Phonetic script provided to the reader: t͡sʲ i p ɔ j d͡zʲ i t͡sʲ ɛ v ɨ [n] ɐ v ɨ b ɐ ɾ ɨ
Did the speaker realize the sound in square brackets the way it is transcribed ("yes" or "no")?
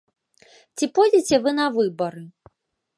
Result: yes